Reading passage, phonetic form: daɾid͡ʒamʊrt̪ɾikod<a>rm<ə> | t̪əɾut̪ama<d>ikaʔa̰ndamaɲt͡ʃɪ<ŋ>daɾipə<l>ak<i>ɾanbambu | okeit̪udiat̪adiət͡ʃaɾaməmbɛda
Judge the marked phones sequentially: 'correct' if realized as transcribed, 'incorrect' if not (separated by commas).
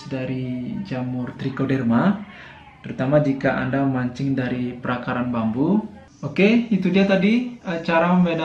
incorrect, incorrect, incorrect, correct, incorrect, incorrect